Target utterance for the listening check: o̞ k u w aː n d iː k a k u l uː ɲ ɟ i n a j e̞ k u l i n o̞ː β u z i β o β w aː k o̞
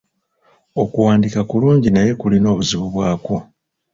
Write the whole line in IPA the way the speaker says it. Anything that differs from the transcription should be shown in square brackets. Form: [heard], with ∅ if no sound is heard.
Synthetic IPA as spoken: o̞ k u w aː n d [i] k a k u l uː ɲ ɟ i n a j e̞ k u l i n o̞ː β u z i β [u] β w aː k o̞